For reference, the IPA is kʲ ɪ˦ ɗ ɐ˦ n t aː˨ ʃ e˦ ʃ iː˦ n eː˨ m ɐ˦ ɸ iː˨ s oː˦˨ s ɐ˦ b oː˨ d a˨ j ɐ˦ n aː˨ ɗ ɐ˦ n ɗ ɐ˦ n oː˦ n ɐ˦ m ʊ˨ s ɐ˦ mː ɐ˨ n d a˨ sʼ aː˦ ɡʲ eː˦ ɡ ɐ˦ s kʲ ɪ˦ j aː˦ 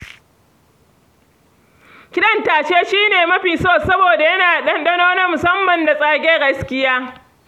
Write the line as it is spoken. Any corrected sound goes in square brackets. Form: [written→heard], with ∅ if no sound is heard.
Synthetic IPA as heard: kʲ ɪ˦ ɗ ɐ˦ n t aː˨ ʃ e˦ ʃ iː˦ n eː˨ m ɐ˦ ɸ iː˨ s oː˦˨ s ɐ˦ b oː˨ d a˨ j ɐ˦ n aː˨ ɗ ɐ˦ n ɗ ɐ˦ n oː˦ n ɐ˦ m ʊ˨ s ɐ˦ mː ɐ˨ n d a˨ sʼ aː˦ ɡʲ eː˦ ɡ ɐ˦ s kʲ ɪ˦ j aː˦